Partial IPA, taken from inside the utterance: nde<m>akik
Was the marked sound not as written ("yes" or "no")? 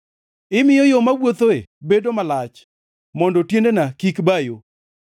yes